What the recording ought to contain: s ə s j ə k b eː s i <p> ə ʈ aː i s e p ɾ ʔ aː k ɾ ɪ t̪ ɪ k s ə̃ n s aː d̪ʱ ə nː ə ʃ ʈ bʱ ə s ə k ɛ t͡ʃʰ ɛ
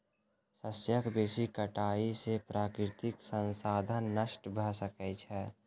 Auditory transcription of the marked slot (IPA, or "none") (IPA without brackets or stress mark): k